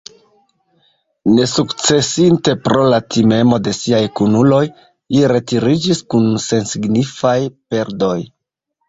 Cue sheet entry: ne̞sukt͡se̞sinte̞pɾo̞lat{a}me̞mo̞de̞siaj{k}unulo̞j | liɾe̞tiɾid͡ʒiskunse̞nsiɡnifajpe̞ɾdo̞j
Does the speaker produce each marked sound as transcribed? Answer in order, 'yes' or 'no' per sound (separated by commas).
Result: no, yes